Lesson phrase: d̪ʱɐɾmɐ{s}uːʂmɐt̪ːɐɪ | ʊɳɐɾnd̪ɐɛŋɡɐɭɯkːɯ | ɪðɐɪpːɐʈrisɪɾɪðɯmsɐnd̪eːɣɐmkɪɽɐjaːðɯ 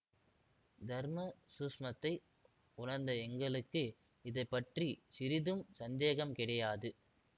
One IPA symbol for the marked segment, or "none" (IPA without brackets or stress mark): s